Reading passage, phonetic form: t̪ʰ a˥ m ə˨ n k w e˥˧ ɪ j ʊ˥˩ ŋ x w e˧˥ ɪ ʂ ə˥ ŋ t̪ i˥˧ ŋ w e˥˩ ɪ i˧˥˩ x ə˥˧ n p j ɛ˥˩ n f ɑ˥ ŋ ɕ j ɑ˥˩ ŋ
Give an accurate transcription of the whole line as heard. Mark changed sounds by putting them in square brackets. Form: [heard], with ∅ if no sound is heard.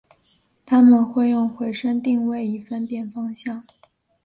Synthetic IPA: t̪ʰ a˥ m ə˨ n [x] w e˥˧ ɪ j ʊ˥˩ ŋ x w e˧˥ ɪ ʂ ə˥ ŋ t̪ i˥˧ ŋ w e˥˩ ɪ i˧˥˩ [f] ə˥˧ n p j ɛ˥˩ n f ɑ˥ ŋ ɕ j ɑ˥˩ ŋ